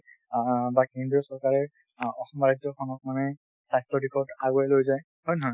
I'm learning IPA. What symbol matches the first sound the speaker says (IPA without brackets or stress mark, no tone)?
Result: b